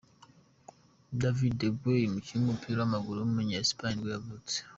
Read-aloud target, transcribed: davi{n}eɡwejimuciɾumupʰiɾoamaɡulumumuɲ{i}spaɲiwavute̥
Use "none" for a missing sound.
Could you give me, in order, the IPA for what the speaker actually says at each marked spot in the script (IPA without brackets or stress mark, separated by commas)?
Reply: d, a